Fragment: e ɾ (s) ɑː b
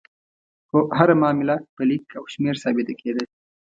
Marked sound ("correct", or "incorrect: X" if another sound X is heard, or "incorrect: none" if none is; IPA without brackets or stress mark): correct